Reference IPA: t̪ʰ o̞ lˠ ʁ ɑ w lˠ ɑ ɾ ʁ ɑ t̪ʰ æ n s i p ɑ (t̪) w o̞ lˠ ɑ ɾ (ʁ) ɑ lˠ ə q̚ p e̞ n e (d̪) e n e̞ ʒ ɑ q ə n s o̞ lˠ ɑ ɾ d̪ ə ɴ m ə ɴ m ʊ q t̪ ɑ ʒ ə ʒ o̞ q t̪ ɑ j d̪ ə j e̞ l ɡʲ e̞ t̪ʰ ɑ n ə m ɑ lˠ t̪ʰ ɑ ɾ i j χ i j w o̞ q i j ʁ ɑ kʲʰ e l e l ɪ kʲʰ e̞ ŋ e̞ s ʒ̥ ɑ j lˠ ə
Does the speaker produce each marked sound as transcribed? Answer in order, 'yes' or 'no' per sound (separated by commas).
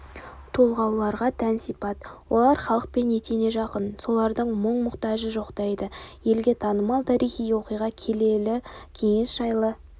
yes, no, no